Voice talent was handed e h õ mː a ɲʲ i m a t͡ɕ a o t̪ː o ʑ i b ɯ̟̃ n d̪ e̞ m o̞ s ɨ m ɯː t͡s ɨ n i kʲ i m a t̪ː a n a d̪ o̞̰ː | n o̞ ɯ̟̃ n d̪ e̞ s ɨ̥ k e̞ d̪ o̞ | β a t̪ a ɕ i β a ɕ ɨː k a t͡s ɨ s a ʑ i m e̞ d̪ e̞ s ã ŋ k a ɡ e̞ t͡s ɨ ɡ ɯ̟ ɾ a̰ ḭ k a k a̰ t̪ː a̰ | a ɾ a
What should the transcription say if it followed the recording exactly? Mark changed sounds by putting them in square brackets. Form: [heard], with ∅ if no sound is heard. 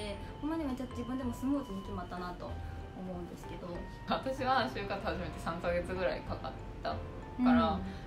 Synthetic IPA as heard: e h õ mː a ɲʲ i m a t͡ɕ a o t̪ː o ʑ i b ɯ̟̃ n d̪ e̞ m o̞ s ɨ m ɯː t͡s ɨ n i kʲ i m a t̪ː a n a [t̪] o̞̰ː | [m] o̞ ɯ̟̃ n d̪ e̞ s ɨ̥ k e̞ d̪ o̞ | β a t̪ a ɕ i β a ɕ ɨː k a t͡s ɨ [h] a ʑ i m e̞ [t̪] e̞ s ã ŋ k a ɡ e̞ t͡s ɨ ɡ ɯ̟ ɾ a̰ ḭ k a k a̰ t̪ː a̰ | a ɾ a